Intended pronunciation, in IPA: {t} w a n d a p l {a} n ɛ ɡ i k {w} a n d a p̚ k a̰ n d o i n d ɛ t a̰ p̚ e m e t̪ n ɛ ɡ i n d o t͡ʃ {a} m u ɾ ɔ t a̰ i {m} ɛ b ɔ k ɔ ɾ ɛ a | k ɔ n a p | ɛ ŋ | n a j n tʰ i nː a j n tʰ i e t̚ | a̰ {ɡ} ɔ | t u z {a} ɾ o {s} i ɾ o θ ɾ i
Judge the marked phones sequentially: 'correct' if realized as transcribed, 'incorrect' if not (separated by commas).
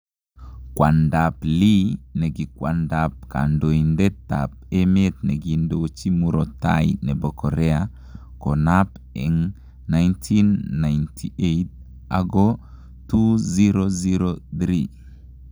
incorrect, incorrect, correct, incorrect, incorrect, correct, incorrect, incorrect